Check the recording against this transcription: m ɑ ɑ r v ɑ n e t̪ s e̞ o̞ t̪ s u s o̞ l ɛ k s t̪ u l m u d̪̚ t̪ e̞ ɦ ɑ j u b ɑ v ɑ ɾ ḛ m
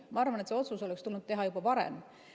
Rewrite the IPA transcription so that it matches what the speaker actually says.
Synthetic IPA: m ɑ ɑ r v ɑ n e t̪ s e̞ o̞ t̪ s u s o̞ l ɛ k s t̪ u l n u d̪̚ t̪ e̞ ɦ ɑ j u b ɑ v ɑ ɾ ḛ m